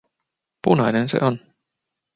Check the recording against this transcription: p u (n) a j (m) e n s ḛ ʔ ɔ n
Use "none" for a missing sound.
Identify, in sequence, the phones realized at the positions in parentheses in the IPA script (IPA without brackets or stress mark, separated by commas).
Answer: n, n